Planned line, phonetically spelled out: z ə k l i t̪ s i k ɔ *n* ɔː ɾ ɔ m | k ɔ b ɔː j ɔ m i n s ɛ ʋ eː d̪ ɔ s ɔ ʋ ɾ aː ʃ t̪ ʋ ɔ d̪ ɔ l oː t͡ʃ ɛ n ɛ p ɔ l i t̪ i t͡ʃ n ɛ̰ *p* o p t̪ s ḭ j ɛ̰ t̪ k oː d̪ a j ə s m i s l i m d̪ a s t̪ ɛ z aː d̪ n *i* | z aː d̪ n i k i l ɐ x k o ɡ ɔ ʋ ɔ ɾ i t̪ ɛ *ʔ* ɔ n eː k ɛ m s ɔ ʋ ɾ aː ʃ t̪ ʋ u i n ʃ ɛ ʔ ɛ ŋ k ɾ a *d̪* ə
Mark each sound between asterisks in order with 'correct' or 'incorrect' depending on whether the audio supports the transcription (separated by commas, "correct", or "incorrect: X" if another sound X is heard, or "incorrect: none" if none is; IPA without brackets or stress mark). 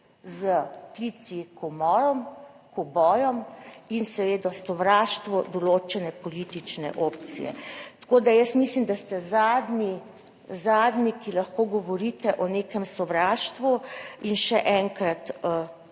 incorrect: m, incorrect: ʔ, correct, correct, incorrect: t̪